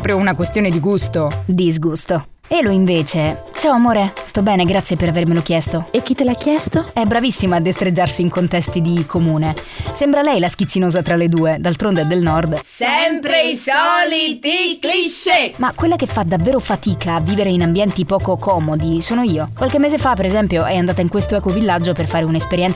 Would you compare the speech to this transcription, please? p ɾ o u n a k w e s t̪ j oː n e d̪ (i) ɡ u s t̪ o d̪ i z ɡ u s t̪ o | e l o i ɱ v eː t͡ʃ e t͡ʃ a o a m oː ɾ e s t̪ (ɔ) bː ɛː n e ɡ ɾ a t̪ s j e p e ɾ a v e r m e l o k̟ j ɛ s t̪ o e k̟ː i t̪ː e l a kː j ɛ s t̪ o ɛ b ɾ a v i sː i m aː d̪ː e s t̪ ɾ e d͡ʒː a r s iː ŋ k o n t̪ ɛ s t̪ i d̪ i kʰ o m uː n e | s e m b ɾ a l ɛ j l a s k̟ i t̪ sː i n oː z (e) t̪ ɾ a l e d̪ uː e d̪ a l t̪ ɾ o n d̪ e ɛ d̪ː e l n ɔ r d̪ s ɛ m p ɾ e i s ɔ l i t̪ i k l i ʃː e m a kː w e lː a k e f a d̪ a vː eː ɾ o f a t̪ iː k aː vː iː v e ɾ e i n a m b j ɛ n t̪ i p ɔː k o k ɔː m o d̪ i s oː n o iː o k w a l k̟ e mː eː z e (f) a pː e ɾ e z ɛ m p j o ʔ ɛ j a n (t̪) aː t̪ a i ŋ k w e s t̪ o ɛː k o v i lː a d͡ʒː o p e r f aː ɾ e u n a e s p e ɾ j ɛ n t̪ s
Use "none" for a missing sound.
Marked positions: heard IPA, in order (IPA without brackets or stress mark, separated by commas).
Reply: i, ɔ, a, f, d̪